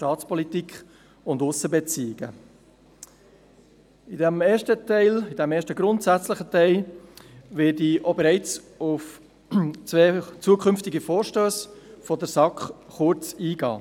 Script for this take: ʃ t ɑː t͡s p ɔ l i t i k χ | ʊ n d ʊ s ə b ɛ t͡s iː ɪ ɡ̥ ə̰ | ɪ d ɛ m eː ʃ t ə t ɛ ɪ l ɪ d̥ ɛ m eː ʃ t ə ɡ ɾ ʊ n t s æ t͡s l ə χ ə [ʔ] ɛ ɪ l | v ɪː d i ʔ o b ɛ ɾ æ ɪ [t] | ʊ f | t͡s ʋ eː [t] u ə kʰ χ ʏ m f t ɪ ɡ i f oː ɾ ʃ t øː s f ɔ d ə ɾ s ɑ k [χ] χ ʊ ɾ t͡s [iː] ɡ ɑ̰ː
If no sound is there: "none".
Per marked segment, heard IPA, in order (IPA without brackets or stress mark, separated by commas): t, t͡s, t͡s, χ, iː